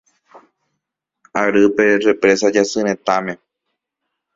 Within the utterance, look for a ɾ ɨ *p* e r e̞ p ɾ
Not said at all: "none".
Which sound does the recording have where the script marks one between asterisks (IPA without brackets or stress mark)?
p